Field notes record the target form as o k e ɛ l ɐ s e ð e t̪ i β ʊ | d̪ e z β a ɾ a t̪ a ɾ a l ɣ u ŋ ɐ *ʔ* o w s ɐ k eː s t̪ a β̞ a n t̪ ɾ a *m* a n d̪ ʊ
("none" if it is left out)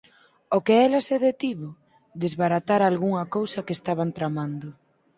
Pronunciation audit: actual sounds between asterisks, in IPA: k, m

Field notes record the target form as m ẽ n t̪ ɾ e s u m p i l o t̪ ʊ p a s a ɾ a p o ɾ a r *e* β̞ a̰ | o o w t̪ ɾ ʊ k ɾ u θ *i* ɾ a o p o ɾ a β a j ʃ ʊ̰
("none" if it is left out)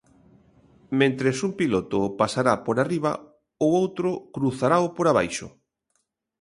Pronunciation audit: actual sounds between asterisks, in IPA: i, a

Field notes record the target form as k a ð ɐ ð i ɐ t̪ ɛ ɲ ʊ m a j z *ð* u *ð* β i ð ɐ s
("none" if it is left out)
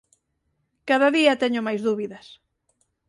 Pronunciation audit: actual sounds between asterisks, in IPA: ð, none

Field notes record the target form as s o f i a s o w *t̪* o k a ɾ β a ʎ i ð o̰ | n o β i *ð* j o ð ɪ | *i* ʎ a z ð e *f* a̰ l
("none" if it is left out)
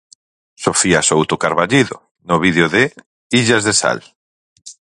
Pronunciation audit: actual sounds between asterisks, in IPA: t̪, ð, i, s

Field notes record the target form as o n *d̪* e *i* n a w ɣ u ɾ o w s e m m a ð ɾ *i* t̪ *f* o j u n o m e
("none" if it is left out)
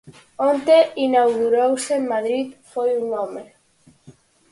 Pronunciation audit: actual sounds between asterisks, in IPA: t̪, i, i, f

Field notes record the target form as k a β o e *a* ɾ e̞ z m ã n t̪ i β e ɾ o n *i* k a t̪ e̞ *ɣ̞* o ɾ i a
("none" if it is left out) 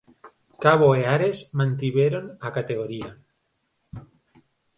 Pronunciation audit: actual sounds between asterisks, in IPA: a, a, ɣ̞

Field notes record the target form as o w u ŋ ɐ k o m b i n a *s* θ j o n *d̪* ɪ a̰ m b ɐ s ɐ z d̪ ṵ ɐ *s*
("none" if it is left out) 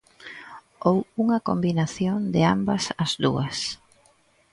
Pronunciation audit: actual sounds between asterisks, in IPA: none, d̪, s

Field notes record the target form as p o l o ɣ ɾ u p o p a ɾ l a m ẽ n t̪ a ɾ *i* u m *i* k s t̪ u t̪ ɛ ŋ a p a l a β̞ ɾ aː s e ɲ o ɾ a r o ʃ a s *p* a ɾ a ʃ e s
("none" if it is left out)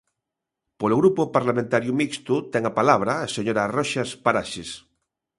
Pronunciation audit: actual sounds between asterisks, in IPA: j, i, p

